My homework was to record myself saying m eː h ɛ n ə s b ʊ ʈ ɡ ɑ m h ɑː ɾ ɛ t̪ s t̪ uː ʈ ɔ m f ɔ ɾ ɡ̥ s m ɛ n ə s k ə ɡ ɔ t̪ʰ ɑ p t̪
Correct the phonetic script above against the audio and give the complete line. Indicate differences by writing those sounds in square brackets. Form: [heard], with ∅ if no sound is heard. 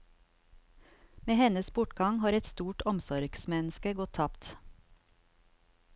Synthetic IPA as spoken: m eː h ɛ n ə s b ʊ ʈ ɡ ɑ [ŋ] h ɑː ɾ ɛ t̪ s t̪ uː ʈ ɔ m [s] ɔ ɾ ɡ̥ s m ɛ n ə s k ə ɡ ɔ t̪ʰ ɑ p t̪